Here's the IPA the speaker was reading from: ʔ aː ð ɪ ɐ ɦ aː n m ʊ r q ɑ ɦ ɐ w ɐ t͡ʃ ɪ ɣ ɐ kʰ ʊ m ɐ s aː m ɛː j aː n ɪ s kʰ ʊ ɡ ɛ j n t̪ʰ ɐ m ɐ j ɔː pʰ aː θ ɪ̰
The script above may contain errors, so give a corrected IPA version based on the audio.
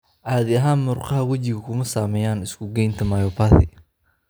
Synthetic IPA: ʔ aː ð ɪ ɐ ɦ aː n m ʊ r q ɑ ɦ ɐ w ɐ t͡ʃ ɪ ɣ ɐ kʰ ʊ m ɐ s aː m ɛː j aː n ɪ s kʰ ʊ ɡ ɛ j n t̪ʰ ɐ m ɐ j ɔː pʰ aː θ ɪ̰

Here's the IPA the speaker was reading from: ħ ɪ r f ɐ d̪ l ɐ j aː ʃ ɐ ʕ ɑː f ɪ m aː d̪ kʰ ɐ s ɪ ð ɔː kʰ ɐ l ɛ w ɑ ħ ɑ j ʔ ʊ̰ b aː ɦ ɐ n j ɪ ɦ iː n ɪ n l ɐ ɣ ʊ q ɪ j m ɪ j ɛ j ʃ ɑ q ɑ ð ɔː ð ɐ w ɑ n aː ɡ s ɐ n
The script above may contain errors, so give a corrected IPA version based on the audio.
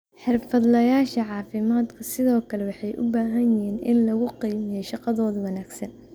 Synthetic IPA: ħ ɪ r f ɐ d̪ l ɐ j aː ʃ ɐ ʕ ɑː f ɪ m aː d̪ kʰ ɐ s ɪ ð ɔː kʰ ɐ l ɛ w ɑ ħ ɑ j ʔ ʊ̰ b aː ɦ ɐ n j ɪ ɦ iː n ɪ n l ɐ ɣ ʊ q i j m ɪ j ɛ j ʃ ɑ q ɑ ð ɔː ð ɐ w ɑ n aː ɡ s ɐ n

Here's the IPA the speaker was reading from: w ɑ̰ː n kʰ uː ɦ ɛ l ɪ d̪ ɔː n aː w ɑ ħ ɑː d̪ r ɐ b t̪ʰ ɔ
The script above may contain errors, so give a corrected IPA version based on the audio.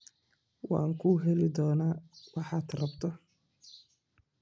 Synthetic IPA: w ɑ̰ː ŋ kʰ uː ɦ ɛ l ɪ d̪ ɔː n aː w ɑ ħ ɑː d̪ r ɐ b t̪ʰ ɔ

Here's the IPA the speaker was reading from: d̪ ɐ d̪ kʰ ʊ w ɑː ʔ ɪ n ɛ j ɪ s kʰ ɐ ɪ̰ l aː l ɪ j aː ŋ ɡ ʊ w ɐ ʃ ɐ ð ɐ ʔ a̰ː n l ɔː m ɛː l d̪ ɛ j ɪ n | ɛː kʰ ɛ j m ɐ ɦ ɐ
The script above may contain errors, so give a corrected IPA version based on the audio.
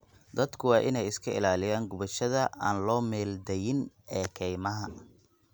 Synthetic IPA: d̪ ɐ d̪ kʰ ʊ w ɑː ʔ ɪ n ɛ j ɪ s kʰ ɐ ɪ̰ l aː l ɪ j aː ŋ ɡ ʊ β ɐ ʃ ɐ ð ɐ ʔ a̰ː n l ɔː m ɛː l d̪ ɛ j ɪ n | ɛː kʰ ɛ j m ɐ ɦ ɐ

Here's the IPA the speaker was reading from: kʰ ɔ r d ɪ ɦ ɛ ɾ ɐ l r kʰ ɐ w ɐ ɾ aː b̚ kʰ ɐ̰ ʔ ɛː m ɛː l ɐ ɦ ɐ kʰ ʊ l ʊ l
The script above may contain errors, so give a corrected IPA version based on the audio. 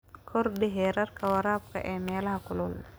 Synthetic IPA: kʰ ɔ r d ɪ ɦ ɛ ɾ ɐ r kʰ ɐ w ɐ ɾ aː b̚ kʰ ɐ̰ ʔ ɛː m ɛː l ɐ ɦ ɐ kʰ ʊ l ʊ l

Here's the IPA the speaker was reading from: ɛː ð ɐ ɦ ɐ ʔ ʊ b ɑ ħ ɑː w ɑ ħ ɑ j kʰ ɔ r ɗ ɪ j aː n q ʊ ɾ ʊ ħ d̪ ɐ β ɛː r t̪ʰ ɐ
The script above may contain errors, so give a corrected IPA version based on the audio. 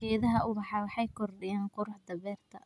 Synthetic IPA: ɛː ð ɐ ɦ ɐ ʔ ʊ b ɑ ħ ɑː w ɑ ħ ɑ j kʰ ɔ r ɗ ɪ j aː n q ʊ ɾ ʊ ħ d̪ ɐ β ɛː r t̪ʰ ɐ

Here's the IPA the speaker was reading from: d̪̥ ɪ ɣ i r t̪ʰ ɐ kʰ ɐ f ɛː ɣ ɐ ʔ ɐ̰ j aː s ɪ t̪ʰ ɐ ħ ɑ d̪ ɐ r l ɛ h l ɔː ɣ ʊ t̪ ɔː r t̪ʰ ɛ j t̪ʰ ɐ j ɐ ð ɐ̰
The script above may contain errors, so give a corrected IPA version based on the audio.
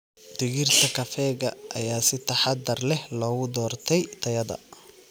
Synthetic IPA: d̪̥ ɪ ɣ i r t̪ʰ ɐ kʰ ɐ f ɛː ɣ ɐ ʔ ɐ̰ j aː s ɪ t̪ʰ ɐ ħ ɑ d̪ ɐ r l ɛ h l ɔː ɣ ʊ d̪ ɔː r t̪ʰ ɛ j t̪ʰ ɐ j ɐ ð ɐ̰

